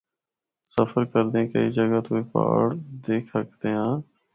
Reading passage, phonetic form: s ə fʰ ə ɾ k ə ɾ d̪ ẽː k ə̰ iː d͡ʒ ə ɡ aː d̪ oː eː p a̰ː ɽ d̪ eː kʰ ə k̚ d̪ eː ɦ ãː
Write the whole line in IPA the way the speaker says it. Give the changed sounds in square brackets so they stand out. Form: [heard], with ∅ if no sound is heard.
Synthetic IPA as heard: s ə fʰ ə ɾ k ə ɾ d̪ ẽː k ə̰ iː d͡ʒ ə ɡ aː [t̪] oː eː p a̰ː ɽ d̪ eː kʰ ə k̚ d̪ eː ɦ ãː